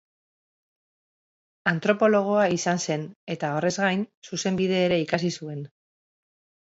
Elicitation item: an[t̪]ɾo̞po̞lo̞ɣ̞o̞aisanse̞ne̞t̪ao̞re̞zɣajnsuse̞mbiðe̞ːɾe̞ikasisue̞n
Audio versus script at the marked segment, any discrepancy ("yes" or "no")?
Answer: no